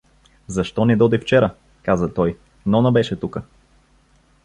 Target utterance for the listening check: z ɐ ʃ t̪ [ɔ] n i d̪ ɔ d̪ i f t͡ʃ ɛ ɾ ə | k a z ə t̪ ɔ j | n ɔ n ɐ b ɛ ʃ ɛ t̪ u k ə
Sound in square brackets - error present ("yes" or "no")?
no